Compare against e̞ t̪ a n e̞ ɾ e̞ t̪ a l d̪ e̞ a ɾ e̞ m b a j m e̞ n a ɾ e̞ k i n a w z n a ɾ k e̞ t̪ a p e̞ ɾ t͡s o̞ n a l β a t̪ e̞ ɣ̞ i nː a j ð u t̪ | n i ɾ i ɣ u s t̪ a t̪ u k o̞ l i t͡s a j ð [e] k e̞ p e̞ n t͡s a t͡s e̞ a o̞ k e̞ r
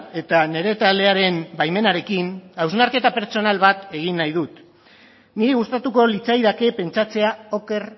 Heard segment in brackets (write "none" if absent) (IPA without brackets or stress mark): a